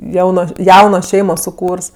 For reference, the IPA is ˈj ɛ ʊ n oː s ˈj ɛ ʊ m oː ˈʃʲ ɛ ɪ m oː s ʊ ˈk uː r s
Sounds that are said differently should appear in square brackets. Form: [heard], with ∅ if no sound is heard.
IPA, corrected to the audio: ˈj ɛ ʊ n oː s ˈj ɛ ʊ [n] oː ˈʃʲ ɛ ɪ m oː s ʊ ˈk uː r s